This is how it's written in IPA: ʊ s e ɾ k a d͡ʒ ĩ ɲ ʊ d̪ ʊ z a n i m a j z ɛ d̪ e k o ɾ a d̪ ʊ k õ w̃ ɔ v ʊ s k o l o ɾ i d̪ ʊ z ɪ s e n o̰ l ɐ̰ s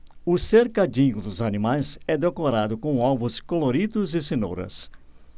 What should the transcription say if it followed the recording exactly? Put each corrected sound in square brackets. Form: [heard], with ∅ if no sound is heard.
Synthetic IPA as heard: ʊ s e ɾ k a d͡ʒ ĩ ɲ ʊ d̪ ʊ z a n i m a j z ɛ d̪ e k o ɾ a d̪ ʊ k õ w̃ ɔ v ʊ s k o l o ɾ i d̪ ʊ z ɪ s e n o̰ [ɾ] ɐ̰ s